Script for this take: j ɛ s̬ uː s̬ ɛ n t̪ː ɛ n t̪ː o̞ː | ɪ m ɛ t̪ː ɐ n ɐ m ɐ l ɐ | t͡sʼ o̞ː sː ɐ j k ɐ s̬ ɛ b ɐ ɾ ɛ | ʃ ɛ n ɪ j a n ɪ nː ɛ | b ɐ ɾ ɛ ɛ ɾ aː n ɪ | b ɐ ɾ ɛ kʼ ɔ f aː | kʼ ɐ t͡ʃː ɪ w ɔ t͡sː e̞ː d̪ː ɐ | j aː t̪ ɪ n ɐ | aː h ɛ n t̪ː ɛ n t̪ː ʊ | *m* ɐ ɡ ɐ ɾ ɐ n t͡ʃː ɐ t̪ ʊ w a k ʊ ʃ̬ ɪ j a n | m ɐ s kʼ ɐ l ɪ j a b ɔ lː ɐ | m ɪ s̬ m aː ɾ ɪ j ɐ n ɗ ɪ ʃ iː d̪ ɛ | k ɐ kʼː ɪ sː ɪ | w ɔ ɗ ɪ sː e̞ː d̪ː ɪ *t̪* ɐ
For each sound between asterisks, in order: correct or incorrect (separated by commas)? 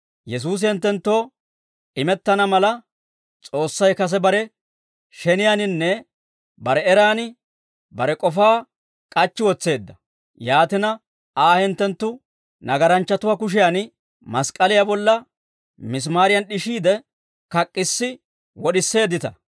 incorrect, correct